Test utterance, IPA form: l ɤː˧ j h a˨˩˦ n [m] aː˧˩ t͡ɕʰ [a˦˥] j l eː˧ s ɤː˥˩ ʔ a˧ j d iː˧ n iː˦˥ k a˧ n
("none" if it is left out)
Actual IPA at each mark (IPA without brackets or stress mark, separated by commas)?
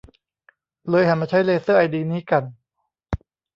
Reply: m, a˦˥